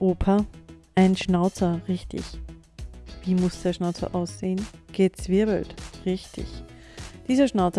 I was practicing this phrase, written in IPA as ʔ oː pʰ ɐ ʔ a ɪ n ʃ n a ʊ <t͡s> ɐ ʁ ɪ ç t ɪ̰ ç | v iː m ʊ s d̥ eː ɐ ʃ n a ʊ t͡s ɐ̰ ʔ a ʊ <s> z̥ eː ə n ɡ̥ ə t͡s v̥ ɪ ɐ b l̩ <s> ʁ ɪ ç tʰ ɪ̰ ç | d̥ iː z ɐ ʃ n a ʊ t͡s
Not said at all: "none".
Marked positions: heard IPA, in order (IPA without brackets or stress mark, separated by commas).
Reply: t͡s, s, t